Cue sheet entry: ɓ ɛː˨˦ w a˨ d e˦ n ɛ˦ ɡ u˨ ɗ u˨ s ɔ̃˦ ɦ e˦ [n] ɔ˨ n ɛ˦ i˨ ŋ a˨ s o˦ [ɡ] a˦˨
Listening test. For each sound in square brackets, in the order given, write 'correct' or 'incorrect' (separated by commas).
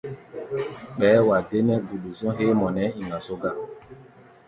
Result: incorrect, correct